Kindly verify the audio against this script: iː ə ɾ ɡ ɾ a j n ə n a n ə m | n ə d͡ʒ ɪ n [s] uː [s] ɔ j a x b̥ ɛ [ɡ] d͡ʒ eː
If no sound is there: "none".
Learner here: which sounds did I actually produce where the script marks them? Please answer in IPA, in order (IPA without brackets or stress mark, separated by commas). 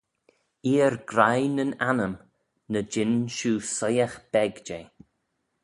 ʃ, s, ɡ